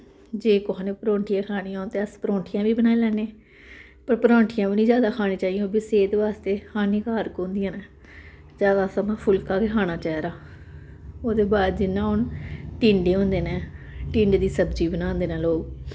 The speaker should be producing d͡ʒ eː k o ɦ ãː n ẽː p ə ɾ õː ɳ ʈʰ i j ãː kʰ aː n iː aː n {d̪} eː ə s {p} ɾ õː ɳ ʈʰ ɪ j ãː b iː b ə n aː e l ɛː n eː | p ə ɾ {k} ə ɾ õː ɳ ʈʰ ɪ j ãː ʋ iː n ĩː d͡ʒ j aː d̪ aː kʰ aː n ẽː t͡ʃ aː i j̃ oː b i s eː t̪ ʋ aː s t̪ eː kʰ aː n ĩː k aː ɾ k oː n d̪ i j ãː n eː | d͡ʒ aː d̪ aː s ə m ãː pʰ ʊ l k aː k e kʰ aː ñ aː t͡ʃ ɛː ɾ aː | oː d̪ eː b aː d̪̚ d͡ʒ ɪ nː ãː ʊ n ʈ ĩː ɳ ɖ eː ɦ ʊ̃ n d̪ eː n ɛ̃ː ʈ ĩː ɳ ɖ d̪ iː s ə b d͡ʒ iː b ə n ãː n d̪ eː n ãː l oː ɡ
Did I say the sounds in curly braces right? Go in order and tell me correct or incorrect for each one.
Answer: incorrect: t̪, correct, incorrect: p

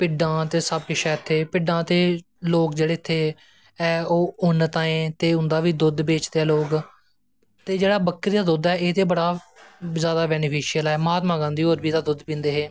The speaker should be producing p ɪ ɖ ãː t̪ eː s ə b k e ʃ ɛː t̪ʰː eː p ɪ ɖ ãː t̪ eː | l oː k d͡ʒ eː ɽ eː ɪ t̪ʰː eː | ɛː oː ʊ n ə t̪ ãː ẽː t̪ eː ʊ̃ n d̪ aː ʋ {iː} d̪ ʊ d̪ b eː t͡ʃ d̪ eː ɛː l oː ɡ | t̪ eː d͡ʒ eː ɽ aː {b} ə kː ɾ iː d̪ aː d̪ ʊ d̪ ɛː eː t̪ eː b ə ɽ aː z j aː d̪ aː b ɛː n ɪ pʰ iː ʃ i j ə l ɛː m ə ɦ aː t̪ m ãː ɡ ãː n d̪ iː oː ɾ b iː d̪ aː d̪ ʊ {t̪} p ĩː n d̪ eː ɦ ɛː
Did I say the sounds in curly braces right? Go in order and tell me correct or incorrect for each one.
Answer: correct, correct, incorrect: d̪

